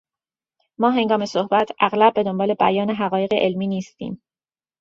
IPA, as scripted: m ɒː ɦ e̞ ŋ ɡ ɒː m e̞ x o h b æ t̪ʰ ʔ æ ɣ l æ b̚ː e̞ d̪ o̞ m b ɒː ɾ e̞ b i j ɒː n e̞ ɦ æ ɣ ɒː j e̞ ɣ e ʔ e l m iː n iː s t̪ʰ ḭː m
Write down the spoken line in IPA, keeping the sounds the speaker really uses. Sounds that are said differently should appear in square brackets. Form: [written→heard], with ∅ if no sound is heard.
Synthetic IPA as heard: m ɒː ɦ e̞ ŋ ɡ ɒː m e̞ [x→s] o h b æ t̪ʰ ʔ æ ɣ l æ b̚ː e̞ d̪ o̞ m b ɒː [ɾ→l] e̞ b [i→æ] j ɒː n e̞ ɦ æ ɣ ɒː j e̞ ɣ e ʔ e l m iː n iː s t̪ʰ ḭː m